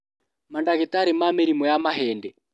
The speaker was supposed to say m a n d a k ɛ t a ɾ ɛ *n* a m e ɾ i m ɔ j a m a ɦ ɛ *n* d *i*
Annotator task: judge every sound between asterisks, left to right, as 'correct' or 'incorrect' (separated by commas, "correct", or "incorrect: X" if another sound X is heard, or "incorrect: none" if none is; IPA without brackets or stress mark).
incorrect: m, correct, incorrect: ɛ